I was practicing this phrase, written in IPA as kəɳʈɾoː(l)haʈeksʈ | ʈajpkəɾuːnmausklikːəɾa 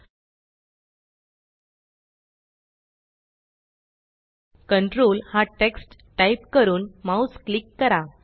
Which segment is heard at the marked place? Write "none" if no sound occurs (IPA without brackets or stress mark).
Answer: l